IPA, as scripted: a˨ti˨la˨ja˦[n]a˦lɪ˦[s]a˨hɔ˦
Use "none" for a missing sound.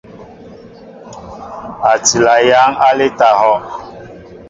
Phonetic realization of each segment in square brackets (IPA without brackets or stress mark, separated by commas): ŋ, t